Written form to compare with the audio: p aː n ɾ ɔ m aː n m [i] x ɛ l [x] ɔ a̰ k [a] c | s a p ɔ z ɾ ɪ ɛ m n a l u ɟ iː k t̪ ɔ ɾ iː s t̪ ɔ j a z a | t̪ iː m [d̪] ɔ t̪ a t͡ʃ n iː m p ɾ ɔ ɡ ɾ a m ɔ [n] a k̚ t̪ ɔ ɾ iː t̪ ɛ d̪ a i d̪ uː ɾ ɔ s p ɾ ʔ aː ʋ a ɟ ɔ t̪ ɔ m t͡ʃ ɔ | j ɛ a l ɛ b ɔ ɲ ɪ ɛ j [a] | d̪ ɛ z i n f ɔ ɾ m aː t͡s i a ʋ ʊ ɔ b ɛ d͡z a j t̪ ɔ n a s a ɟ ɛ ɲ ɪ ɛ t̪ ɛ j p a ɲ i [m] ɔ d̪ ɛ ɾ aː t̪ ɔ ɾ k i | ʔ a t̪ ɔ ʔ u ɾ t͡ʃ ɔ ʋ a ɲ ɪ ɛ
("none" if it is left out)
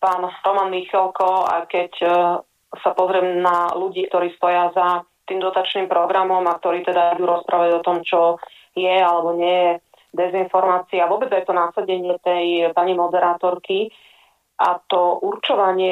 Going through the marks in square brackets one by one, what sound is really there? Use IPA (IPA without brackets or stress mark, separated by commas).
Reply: i, k, ɛ, d̪, m, ɛ, m